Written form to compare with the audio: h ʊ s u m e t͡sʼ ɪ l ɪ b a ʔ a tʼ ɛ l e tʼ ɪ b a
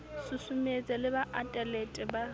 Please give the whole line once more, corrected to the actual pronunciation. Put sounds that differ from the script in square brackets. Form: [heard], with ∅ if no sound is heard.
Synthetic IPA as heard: [s] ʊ s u m e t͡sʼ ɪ l ɪ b a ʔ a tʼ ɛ l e tʼ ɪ b a